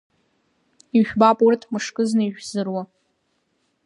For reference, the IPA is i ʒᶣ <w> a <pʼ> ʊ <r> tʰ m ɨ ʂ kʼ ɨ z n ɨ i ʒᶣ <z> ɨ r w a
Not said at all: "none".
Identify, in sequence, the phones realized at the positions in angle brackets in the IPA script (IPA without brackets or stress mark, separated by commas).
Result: b, pʼ, r, z